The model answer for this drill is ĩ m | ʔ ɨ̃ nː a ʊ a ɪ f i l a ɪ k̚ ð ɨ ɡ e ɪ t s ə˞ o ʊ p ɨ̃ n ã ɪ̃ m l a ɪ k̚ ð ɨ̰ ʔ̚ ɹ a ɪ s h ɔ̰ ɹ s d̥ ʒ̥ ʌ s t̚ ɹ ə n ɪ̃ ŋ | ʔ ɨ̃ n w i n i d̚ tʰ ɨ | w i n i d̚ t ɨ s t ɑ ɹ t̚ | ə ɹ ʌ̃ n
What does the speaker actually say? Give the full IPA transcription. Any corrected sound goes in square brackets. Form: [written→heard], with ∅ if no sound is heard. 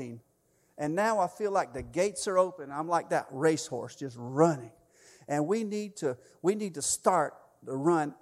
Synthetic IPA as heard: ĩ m | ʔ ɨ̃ nː a ʊ a ɪ f i l a ɪ k̚ ð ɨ ɡ e ɪ t s ə˞ o ʊ p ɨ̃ n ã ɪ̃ m l a ɪ k̚ ð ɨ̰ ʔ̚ ɹ [a→e] ɪ s h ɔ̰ ɹ s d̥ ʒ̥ ʌ s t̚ ɹ [ə→ʌ] n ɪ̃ ŋ | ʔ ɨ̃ n w i n i d̚ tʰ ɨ | w i n i d̚ t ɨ s t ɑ ɹ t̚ | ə ɹ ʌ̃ n